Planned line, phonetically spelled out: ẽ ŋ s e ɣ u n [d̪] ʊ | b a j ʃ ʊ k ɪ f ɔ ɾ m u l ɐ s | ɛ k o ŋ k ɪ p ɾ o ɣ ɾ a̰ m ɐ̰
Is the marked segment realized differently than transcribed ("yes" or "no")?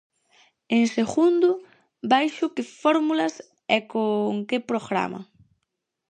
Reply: no